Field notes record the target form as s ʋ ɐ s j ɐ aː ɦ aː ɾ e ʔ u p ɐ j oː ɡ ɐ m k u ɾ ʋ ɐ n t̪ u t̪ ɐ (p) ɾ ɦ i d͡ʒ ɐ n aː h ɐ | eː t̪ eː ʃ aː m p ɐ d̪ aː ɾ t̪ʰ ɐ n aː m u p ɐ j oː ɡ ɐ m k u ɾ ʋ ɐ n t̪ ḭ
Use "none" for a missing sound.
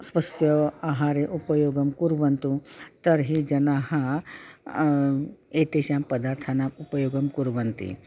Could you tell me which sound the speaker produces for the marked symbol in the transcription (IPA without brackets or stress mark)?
none